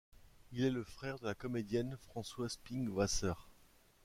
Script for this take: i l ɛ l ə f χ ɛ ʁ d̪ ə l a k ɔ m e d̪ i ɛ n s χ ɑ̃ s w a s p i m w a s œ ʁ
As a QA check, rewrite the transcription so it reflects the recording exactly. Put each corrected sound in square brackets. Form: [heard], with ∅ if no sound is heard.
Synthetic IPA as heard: i l ɛ l ə f χ ɛ ʁ d̪ ə l a k ɔ m e d̪ [j] ɛ n [f] χ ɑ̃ s w a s p i [ŋ] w a s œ ʁ